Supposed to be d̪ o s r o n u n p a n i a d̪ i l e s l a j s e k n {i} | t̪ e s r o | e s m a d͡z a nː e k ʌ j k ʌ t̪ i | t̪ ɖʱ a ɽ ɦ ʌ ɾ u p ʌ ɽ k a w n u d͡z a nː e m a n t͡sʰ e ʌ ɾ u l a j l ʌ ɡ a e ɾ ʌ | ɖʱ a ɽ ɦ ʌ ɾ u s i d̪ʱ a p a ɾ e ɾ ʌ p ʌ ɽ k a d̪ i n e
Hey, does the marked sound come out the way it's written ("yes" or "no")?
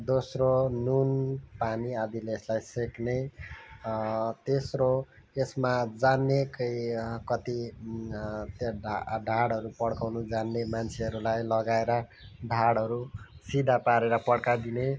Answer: no